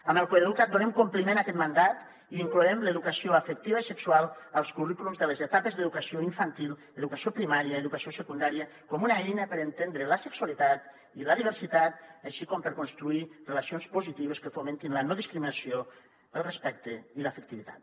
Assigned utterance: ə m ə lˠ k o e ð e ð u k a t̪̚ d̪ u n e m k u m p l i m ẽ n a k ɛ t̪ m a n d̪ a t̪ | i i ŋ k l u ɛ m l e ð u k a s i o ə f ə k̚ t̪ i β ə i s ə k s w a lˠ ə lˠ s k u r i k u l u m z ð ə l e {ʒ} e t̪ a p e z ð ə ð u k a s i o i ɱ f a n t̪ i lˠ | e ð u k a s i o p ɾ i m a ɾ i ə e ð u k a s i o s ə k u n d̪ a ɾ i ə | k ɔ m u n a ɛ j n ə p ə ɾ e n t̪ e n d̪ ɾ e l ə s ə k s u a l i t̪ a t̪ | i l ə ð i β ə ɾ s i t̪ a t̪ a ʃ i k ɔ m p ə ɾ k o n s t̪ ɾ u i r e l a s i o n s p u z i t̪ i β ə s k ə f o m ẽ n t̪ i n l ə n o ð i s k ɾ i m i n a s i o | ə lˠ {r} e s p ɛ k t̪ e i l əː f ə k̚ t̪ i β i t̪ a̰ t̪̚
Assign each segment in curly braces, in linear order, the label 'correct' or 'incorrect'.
incorrect: z, correct

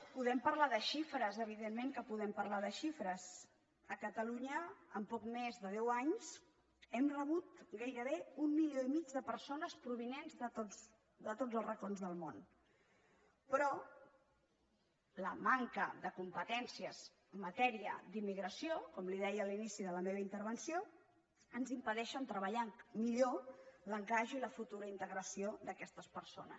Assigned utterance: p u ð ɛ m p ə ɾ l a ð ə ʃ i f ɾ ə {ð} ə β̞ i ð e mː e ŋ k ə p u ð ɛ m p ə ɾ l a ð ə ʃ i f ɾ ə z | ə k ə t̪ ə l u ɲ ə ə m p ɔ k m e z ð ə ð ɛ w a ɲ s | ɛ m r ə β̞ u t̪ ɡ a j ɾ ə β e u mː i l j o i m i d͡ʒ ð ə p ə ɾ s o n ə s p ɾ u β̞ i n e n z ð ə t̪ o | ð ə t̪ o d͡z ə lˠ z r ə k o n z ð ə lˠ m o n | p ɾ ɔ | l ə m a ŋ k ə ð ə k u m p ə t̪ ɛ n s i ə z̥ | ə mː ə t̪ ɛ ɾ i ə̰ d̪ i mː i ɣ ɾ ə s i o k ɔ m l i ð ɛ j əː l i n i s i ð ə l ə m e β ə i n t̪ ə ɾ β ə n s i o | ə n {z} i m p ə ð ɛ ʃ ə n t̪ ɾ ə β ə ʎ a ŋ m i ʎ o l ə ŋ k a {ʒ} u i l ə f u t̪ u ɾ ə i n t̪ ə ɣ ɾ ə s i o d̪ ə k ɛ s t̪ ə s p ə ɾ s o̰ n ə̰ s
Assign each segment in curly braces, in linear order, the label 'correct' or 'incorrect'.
incorrect: z, correct, correct

